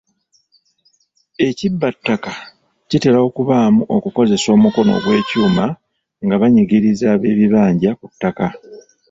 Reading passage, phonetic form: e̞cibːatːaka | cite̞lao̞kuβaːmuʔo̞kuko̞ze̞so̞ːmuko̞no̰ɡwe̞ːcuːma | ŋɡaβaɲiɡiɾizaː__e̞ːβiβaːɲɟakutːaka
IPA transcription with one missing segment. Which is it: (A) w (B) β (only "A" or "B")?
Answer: B